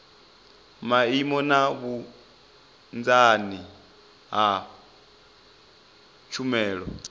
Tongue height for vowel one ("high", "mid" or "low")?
low